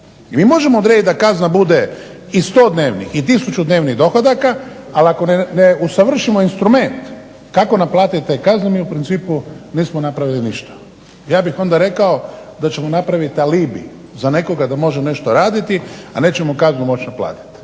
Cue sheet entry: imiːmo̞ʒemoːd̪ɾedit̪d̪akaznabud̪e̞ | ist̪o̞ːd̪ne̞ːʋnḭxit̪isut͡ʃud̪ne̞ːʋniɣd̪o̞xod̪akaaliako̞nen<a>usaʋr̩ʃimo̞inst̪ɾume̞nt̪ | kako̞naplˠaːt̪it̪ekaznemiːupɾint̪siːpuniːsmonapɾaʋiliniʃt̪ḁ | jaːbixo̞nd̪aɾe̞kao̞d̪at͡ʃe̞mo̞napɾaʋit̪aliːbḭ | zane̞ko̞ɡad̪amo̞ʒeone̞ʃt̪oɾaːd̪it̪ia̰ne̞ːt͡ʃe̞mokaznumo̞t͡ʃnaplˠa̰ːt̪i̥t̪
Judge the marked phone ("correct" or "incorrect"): incorrect